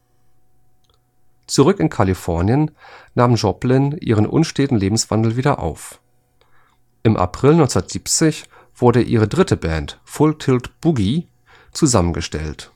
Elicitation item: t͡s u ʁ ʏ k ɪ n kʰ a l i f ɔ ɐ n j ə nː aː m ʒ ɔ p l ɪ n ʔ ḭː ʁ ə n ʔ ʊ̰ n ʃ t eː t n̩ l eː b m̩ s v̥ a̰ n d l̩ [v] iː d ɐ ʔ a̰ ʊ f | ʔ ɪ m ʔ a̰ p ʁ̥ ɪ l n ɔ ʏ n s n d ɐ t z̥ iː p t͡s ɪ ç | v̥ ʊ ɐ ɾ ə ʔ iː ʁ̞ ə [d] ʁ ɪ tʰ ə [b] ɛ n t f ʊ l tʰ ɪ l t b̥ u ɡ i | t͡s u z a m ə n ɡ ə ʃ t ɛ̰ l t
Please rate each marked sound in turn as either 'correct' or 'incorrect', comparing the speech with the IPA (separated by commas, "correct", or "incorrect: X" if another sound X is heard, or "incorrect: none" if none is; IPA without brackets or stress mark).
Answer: correct, correct, correct